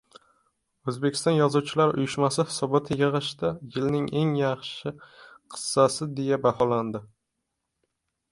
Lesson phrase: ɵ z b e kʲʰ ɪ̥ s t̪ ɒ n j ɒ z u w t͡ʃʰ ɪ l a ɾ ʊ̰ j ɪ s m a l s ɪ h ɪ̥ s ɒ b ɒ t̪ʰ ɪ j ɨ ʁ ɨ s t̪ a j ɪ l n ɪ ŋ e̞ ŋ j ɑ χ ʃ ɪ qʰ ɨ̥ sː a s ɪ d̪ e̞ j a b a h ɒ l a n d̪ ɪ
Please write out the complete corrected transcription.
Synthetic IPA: ɵ z b e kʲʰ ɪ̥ s t̪ ɒ n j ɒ z u w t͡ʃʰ ɪ l a ɾ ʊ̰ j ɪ ʃ m a s ɪ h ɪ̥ s ɒ b ɒ t̪ʰ ɪ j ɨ ʁ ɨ ʃ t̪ a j ɪ l n ɪ ŋ e̞ ŋ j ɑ χ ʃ ɪ qʰ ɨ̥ sː a s ɪ d̪ e̞ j a b a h ɒ l a n d̪ ɪ